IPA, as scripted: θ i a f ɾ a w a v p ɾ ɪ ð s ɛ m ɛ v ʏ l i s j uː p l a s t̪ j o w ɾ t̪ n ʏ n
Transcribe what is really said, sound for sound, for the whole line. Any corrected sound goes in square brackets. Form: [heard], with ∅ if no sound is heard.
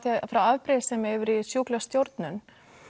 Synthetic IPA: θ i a f ɾ a w a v p ɾ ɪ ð s ɛ m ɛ v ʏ [ɾ] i s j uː [k] l a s t̪ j o w ɾ t̪ n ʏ n